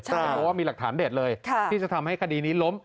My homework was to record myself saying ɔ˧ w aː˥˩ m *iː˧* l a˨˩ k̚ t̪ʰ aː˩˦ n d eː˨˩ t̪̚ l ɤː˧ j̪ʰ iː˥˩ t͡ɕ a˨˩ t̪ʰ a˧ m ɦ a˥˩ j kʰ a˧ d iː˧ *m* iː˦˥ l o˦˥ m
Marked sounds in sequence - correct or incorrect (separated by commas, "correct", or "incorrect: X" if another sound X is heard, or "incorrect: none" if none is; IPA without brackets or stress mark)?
correct, incorrect: n